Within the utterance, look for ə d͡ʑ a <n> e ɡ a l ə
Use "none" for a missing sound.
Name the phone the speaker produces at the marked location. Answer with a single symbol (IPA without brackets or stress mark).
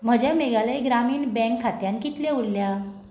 m